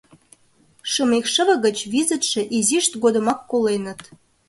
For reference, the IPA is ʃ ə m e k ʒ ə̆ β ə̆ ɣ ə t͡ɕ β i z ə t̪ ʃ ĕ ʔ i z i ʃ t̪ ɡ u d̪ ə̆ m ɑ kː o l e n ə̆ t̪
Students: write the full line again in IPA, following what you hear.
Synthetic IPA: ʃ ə m e k ʃ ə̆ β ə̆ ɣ ə t͡ɕ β i z ə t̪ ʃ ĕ ʔ i z i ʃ t̪ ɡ o d̪ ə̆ m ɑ kː o l e n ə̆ t̪